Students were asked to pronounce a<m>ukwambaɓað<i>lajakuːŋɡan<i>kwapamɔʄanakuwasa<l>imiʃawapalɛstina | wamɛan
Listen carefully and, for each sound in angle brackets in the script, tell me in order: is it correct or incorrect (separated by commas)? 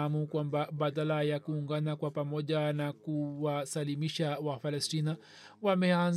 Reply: correct, incorrect, incorrect, correct